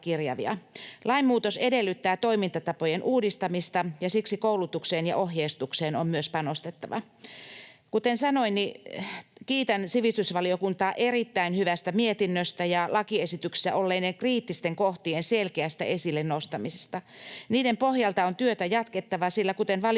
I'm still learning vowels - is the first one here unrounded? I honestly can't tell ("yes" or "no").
yes